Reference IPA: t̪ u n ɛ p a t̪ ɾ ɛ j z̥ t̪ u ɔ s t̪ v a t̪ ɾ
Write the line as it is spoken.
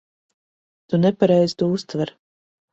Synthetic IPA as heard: t̪ u n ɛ p a ɾ ɛ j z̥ t̪ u u s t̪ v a ɾ

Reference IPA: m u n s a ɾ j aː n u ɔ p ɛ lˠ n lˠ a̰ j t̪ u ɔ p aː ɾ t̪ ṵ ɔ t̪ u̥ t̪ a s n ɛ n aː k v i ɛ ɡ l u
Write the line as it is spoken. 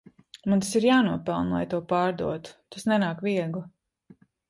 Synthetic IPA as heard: m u n s i ɾ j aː n u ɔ p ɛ lˠ n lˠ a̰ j t̪ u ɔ p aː ɾ d̪ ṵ ɔ t̪ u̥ t̪ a s n ɛ n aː k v i ɛ ɡ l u

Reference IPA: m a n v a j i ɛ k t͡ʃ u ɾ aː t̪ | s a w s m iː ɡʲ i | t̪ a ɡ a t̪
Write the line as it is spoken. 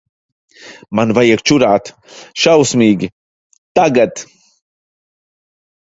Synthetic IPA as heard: m a n v a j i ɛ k t͡ʃ u ɾ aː t̪ | ʃ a w s m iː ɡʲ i | t̪ a ɡ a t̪

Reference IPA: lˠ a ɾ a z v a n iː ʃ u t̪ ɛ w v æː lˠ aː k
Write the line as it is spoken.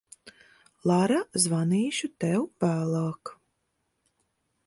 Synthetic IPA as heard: lˠ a ɾ a z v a n iː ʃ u t̪ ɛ w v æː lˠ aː k

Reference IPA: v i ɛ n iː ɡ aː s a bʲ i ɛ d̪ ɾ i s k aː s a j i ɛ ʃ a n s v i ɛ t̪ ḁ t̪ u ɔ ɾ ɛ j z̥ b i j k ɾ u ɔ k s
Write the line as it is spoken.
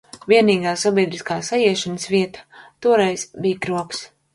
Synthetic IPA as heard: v i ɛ n iː ɡ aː s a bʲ i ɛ d̪ ɾ i s k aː s a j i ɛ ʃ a n s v i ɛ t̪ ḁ t̪ u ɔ ɾ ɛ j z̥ b i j k ɾ u ɔ k s

